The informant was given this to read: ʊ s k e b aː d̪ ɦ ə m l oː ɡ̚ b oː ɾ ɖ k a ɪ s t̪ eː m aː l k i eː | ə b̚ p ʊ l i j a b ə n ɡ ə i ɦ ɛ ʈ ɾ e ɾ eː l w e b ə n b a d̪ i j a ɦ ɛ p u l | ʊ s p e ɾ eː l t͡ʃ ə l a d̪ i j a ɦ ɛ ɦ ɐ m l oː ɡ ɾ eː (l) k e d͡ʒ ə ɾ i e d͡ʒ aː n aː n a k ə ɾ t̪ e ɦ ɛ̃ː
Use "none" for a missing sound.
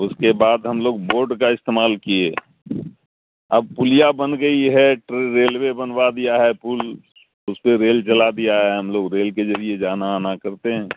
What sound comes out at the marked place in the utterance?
l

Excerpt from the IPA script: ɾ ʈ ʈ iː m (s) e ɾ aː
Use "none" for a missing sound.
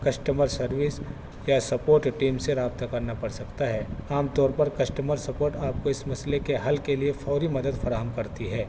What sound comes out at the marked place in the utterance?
s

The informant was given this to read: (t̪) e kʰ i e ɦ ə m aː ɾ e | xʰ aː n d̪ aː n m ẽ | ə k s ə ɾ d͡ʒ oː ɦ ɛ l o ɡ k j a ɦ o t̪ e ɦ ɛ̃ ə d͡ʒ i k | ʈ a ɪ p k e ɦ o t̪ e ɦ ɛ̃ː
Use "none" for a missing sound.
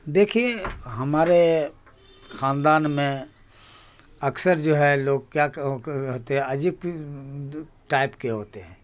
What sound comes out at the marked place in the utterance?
d̪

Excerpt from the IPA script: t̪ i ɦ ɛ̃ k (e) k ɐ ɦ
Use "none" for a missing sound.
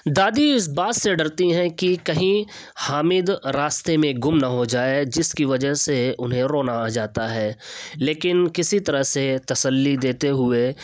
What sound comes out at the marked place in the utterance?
i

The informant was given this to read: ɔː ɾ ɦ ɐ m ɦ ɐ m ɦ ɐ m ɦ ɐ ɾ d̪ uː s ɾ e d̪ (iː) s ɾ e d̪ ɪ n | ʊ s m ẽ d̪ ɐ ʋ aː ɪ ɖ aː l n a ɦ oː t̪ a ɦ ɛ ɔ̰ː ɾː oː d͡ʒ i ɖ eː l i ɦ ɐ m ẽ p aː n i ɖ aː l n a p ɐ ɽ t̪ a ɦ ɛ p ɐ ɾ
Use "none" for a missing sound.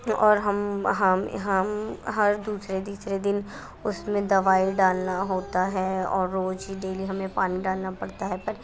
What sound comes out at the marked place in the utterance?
iː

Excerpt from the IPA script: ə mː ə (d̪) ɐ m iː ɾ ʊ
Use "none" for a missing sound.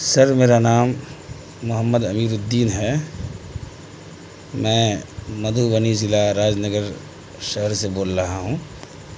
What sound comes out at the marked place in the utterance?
d̪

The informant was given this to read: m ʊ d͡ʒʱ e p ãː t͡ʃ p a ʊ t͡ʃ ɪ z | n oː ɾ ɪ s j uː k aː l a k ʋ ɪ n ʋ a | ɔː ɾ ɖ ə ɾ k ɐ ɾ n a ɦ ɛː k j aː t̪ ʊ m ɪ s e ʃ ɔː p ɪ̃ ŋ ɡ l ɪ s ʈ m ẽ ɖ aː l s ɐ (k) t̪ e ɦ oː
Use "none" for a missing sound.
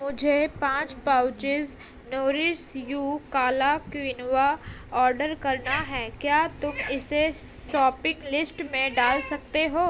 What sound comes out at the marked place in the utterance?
k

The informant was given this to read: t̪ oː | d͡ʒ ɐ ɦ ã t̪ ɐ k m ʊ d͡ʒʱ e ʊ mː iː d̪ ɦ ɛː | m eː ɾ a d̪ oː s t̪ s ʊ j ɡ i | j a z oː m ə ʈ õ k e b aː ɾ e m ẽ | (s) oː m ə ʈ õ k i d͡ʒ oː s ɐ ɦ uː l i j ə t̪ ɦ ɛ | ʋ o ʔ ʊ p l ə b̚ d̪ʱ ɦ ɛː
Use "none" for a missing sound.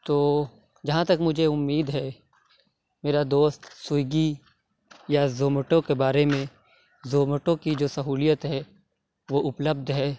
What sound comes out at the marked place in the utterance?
z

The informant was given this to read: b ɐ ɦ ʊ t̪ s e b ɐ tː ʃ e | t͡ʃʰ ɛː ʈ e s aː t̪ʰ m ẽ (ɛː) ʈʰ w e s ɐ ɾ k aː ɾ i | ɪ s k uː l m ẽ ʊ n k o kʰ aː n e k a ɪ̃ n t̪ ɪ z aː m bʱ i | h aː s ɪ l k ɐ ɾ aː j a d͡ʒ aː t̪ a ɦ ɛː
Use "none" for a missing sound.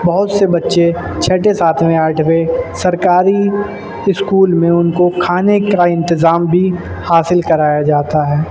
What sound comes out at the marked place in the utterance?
aː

